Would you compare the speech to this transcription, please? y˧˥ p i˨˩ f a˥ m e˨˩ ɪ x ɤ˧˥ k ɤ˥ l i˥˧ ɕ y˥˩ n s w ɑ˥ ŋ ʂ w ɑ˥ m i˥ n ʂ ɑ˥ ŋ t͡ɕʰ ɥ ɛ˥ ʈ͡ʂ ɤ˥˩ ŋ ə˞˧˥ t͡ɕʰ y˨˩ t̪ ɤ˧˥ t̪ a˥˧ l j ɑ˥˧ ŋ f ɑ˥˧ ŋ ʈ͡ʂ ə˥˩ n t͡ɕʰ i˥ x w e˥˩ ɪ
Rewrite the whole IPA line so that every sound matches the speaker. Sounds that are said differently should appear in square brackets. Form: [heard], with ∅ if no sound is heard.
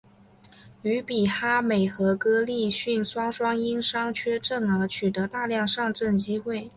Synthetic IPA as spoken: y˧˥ p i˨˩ [x] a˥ m e˨˩ ɪ x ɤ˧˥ k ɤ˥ l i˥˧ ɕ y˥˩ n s w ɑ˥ ŋ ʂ w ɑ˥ [ŋ] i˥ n ʂ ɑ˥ ŋ t͡ɕʰ ɥ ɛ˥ ʈ͡ʂ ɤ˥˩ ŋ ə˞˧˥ t͡ɕʰ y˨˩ t̪ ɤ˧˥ t̪ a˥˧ l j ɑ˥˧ ŋ [ʂ] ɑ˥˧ ŋ ʈ͡ʂ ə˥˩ n [t͡ɕ] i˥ x w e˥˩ ɪ